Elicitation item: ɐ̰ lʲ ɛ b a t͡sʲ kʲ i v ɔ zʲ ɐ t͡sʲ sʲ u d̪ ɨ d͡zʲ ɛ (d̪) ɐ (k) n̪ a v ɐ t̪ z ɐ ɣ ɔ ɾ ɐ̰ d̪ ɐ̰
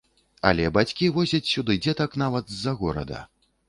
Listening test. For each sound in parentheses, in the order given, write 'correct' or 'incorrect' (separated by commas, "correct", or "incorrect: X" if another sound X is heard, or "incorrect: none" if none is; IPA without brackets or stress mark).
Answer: incorrect: t̪, correct